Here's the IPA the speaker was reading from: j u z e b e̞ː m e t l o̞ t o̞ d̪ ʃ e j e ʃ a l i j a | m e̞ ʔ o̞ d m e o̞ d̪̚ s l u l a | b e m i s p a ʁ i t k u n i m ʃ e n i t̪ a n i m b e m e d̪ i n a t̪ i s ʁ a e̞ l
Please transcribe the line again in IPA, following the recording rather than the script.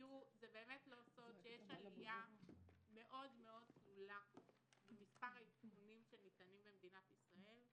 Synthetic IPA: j u z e b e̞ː m e t l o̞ s o̞ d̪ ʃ e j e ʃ a l i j a | m e̞ ʔ o̞ d m e o̞ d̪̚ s l u l a | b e m i s p a ʁ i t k u n i m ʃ e n i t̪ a n i m b e m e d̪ i n a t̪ i s ʁ a e̞ l